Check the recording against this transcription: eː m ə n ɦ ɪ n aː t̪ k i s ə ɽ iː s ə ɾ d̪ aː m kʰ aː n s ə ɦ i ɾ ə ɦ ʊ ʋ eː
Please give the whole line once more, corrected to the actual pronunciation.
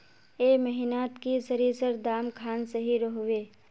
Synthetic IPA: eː m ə ɦ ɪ n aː t̪ k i s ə ɾ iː s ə ɾ d̪ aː m kʰ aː n s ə ɦ i ɾ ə ɦ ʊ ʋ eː